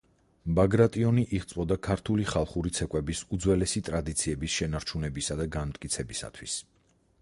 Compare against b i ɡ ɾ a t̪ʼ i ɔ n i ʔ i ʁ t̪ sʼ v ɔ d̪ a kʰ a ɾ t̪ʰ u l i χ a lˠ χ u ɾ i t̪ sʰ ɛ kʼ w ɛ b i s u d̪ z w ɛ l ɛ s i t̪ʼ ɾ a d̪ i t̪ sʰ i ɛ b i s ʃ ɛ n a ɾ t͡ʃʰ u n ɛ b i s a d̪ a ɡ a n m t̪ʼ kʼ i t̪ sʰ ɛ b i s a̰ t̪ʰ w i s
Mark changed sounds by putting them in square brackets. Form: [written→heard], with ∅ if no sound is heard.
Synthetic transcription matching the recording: b [i→a] ɡ ɾ a t̪ʼ i ɔ n i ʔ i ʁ t̪ sʼ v ɔ d̪ a kʰ a ɾ t̪ʰ u l i χ a lˠ χ u ɾ i t̪ sʰ ɛ kʼ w ɛ b i s u d̪ z w ɛ l ɛ s i t̪ʼ ɾ a d̪ i t̪ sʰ i ɛ b i s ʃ ɛ n a ɾ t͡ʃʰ u n ɛ b i s a d̪ a ɡ a n m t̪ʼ kʼ i t̪ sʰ ɛ b i s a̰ t̪ʰ w i s